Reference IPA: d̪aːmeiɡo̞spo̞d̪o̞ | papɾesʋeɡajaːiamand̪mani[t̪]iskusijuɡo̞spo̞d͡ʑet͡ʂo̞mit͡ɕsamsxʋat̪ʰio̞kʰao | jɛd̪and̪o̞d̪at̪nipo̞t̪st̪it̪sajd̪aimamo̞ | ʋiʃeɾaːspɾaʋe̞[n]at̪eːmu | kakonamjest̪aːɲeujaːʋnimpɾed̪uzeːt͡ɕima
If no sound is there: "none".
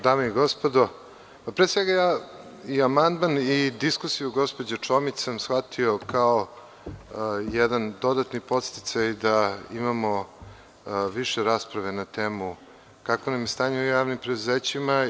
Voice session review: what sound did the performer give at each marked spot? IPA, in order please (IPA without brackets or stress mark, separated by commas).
d̪, n